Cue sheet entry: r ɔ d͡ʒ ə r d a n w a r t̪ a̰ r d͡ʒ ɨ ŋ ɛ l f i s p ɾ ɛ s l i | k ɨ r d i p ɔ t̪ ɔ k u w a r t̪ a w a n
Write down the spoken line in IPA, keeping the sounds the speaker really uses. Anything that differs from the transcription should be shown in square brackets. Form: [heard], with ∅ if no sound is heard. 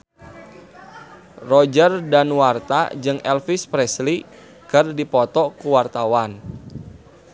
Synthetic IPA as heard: r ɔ d͡ʒ ə r d a n w a r t̪ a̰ [∅] d͡ʒ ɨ ŋ ɛ l f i s p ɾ ɛ s l i | k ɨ r d i p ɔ t̪ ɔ k u w a r t̪ a w a n